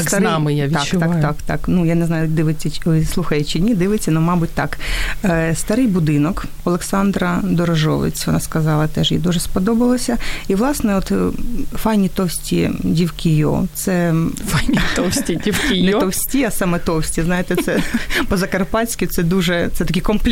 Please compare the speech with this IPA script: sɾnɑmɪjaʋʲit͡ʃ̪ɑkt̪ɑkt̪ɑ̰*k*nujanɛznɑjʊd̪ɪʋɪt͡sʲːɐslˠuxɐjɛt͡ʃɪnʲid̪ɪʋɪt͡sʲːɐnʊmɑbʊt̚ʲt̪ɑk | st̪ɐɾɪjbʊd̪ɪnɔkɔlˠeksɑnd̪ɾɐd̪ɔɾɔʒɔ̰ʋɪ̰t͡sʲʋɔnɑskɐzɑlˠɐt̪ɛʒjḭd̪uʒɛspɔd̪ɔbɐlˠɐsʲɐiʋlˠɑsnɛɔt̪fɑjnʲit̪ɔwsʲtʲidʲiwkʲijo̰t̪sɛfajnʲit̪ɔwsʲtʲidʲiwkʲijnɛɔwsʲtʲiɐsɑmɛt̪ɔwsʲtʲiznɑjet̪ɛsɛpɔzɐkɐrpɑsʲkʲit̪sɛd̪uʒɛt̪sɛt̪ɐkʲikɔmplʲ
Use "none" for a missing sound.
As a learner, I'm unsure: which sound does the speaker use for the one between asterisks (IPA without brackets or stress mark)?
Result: k